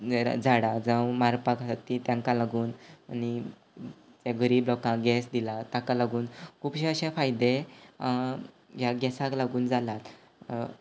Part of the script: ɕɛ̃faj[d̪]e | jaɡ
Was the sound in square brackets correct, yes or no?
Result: yes